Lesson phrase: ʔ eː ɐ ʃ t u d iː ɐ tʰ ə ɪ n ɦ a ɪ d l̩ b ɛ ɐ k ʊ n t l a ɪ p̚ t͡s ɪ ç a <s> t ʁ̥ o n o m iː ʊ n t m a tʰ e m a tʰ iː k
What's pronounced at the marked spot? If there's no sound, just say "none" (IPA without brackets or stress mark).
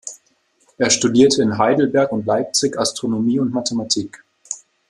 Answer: s